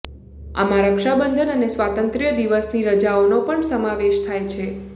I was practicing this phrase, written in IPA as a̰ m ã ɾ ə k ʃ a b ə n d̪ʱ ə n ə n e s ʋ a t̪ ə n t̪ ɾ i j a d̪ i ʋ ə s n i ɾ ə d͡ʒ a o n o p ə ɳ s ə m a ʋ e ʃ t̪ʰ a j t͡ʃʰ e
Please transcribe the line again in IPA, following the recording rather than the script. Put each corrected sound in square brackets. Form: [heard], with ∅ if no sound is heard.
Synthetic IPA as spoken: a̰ m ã ɾ ə k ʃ a b ə n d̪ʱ ə n ə n e s ʋ a t̪ ə n t̪ ɾ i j [ə] d̪ i ʋ ə s n i ɾ ə d͡ʒ a o n o p ə ɳ s ə m a ʋ e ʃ t̪ʰ a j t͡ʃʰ e